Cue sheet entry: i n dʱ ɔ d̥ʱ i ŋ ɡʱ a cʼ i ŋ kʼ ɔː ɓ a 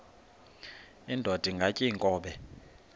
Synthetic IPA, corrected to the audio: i n dʱ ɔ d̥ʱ i ŋ ɡʱ a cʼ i ŋ kʼ ɔː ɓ ɛ